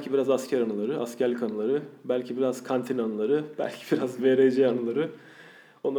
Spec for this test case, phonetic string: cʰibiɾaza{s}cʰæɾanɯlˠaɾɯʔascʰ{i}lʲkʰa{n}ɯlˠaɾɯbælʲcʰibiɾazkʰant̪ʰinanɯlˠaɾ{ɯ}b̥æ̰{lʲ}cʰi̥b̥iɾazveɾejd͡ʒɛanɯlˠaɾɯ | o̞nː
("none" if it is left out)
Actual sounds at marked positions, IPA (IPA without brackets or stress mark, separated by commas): s, æ, n, ɯ, lʲ